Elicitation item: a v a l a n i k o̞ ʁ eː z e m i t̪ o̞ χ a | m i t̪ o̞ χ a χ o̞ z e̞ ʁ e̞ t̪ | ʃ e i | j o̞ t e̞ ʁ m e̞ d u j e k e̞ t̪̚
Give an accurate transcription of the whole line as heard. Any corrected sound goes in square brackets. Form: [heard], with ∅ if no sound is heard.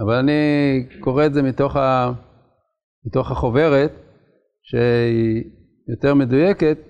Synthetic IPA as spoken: a v a l a n i k o̞ ʁ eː z e m i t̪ o̞ χ a | m i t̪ o̞ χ a χ o̞ [v] e̞ ʁ e̞ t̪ | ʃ e i | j o̞ t e̞ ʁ m e̞ d u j e k e̞ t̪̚